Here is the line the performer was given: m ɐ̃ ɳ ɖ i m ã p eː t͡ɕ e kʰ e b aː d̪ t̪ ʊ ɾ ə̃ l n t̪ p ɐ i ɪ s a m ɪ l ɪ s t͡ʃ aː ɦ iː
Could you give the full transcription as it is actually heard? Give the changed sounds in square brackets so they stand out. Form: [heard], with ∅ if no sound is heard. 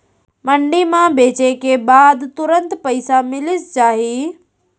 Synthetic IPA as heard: m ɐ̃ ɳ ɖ i m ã [b] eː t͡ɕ e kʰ e b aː d̪ t̪ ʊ ɾ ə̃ [∅] n t̪ p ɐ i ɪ s a m ɪ l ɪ s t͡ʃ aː ɦ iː